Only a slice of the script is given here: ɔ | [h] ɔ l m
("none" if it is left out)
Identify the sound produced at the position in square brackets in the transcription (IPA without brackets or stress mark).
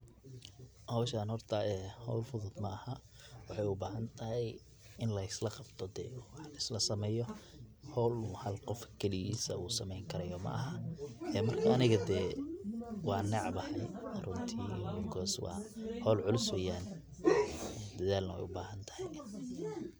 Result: h